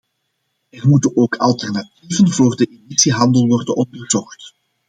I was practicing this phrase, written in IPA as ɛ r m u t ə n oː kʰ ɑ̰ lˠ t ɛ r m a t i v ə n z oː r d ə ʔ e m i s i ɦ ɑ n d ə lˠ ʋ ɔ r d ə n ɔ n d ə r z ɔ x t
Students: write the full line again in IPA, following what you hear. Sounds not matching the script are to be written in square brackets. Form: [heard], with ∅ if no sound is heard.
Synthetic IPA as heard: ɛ r m u t ə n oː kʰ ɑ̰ lˠ t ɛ r [n] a t i v ə n [v] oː r d ə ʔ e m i s i ɦ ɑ n d ə lˠ ʋ ɔ r d ə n ɔ n d ə r z ɔ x t